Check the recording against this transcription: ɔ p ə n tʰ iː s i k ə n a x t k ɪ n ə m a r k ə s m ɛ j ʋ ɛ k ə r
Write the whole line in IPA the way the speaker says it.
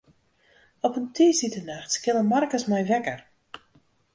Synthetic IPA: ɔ p ə n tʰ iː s i t ə n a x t k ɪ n ə m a r k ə s m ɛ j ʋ ɛ k ə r